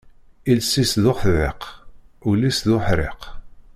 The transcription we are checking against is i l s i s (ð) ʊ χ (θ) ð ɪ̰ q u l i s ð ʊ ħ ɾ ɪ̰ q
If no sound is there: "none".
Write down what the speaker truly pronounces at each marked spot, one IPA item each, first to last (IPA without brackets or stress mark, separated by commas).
ð, θ